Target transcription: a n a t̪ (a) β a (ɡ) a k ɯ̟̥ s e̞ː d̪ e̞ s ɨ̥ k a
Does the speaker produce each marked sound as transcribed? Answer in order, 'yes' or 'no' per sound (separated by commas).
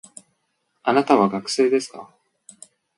yes, yes